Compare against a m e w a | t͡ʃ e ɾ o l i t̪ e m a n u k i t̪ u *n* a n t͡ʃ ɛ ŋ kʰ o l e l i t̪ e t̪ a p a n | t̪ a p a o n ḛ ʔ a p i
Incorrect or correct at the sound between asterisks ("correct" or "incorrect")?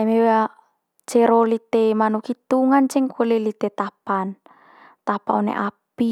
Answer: incorrect